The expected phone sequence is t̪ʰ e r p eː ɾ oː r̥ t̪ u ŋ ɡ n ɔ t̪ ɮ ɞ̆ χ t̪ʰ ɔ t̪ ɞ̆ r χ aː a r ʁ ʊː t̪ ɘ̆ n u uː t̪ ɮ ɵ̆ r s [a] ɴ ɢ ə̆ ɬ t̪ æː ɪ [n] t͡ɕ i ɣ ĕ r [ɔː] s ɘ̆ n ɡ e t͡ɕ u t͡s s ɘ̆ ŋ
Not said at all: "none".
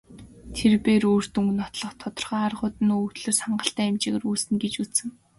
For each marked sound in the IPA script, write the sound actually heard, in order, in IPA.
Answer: a, m, uː

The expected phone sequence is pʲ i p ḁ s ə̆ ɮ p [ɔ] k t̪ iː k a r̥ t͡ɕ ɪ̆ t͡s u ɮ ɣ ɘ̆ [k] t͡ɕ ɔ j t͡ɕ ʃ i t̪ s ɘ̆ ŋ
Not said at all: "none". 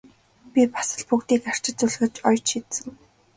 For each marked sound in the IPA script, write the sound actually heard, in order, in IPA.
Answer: u, none

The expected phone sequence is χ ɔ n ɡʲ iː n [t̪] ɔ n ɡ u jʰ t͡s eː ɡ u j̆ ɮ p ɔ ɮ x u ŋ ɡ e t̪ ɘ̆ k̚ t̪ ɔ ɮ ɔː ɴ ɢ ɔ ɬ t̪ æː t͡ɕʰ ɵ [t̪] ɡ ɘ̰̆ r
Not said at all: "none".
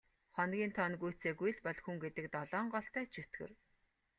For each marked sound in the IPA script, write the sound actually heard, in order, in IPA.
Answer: t̪ʰ, t̪

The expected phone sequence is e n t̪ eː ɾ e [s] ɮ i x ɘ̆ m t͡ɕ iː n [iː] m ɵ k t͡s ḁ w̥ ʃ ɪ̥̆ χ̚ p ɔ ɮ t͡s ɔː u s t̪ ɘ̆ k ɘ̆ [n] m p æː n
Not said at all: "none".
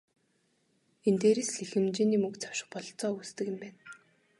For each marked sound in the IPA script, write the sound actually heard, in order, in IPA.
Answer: s, iː, none

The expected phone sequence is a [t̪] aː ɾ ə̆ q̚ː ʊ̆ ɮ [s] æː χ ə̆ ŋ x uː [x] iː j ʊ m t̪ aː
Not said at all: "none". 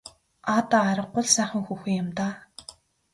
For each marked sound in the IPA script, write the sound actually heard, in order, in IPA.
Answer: t̪, s, x

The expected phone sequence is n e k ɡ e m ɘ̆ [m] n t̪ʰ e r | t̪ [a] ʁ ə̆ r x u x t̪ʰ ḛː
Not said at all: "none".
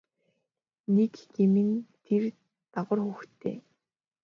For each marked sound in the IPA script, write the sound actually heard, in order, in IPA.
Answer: none, a

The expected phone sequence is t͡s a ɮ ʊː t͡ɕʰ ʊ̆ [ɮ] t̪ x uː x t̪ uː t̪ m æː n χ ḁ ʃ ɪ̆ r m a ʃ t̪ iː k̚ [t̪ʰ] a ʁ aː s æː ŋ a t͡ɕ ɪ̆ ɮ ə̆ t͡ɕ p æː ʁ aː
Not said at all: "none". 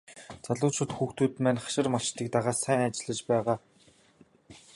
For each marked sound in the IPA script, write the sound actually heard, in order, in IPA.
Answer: none, t̪

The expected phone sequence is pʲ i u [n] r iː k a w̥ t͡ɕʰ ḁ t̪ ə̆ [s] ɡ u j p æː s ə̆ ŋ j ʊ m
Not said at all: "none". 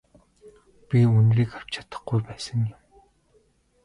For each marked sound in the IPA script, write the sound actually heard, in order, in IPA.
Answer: n, χ

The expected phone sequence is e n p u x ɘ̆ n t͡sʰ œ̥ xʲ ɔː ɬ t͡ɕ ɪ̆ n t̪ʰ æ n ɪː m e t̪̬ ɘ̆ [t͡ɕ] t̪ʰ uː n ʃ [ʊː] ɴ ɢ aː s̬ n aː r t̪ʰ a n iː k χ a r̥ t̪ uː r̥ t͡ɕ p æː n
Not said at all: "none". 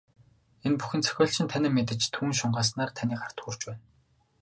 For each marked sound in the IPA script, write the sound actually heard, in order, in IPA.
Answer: t͡ɕ, ʊ

